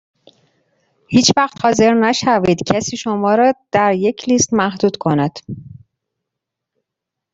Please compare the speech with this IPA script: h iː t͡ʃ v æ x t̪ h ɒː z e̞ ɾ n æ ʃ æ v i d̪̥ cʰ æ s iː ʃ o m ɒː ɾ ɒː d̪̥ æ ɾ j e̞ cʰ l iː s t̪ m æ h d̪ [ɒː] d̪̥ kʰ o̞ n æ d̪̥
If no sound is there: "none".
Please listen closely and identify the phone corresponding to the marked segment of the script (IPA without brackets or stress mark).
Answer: uː